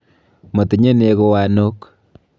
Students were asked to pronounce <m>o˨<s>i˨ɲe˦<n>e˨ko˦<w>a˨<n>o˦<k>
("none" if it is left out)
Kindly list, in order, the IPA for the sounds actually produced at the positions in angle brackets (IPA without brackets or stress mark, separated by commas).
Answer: m, t, n, w, n, k